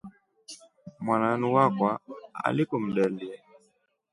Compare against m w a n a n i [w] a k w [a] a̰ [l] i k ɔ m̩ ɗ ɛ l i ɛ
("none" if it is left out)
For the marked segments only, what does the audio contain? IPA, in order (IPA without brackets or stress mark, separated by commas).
w, a, l